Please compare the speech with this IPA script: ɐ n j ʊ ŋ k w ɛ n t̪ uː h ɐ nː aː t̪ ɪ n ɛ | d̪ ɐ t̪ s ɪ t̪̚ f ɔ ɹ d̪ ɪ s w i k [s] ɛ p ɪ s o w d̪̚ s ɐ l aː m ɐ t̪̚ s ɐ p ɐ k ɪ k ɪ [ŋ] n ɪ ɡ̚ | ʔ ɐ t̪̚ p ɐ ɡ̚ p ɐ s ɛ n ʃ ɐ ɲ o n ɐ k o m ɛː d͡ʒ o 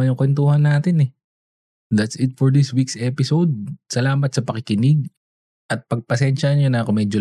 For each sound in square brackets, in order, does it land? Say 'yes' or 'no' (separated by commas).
yes, no